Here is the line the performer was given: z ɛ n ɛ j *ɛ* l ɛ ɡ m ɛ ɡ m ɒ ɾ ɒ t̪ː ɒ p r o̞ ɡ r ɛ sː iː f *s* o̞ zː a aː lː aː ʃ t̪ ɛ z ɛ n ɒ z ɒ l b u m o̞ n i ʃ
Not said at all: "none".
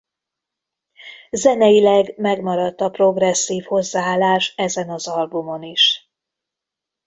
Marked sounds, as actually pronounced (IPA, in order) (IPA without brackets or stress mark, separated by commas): i, h